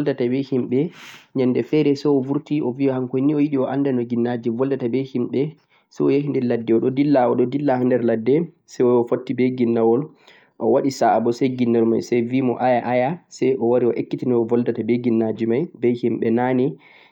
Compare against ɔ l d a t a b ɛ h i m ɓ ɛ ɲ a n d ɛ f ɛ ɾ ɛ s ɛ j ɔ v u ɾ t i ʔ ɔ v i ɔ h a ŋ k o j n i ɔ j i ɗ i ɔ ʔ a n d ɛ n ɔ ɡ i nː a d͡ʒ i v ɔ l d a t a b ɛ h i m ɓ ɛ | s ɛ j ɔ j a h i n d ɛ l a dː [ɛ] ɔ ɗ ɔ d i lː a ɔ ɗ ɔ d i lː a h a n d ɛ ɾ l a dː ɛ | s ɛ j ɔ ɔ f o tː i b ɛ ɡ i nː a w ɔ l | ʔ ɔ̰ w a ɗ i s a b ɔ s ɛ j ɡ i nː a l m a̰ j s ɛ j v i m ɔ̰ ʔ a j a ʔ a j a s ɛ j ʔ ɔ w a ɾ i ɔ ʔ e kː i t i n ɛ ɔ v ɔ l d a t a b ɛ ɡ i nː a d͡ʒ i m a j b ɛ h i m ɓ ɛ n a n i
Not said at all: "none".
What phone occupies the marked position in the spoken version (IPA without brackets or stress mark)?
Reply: ɛ